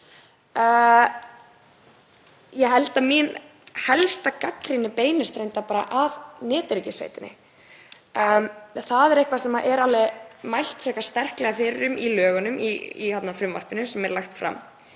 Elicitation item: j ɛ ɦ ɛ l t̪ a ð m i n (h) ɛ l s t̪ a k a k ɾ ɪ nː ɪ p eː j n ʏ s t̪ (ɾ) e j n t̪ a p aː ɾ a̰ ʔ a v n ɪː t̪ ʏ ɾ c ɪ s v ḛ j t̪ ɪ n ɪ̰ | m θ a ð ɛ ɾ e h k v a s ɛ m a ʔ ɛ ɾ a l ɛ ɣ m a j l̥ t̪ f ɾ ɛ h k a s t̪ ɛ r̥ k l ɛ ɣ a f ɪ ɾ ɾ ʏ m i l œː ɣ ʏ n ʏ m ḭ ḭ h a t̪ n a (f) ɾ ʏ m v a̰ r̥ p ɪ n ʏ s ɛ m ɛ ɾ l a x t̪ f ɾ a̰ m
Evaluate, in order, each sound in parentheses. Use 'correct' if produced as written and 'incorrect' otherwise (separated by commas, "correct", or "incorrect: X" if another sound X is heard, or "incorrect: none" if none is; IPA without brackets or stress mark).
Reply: correct, correct, correct